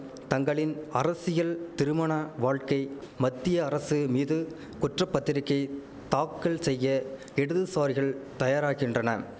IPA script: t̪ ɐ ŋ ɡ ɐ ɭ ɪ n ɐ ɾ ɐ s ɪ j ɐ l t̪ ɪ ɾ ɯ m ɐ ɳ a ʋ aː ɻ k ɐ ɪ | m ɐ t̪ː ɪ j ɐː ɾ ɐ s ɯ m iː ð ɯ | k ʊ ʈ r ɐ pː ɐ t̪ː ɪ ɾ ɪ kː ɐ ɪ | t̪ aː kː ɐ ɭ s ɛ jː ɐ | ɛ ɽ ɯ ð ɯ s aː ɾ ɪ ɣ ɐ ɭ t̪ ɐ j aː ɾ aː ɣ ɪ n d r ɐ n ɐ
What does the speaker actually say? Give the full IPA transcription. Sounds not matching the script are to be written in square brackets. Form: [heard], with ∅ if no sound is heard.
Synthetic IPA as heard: t̪ ɐ ŋ ɡ ɐ ɭ ɪ n ɐ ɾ ɐ s ɪ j ɐ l t̪ ɪ ɾ ɯ m ɐ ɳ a ʋ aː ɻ k ɐ ɪ | m ɐ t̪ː ɪ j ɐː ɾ ɐ s ɯ m iː ð ɯ | k ʊ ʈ r ɐ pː ɐ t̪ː ɪ ɾ ɪ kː ɐ ɪ | t̪ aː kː ɐ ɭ s ɛ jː ɐ | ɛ ɽ ɯ ð ɯ s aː ɾ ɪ ɣ ɐ ɭ t̪ ɐ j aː ɾ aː ɣ ɪ n d r ɐ n ɐ